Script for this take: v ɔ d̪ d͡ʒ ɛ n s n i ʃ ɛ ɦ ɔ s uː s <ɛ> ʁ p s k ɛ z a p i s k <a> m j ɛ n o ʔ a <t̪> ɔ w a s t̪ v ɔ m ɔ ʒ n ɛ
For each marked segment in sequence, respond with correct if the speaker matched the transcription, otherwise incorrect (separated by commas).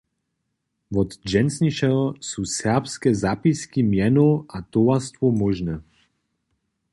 correct, incorrect, correct